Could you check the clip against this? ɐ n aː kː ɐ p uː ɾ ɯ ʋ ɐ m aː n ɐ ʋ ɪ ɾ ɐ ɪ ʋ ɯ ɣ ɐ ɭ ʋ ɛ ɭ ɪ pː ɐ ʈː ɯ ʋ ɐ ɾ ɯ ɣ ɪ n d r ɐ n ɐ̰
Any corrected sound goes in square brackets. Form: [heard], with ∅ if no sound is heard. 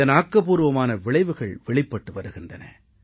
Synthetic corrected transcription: ɐ n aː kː ɐ p uː ɾ ɯ ʋ ɐ m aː n ɐ ʋ ɪ [ɭ] ɐ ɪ ʋ ɯ ɣ ɐ ɭ ʋ ɛ ɭ ɪ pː ɐ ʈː ɯ ʋ ɐ ɾ ɯ ɣ ɪ n d r ɐ n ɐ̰